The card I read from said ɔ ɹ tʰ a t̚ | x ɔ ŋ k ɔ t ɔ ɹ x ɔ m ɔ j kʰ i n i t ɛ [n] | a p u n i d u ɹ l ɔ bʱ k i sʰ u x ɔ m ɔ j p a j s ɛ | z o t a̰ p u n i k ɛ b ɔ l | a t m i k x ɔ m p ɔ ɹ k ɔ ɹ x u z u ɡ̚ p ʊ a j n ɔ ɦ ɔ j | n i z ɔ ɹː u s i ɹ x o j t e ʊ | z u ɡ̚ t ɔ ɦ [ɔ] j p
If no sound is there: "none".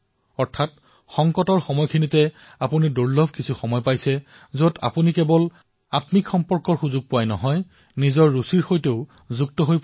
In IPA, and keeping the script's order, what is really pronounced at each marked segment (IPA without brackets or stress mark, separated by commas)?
none, o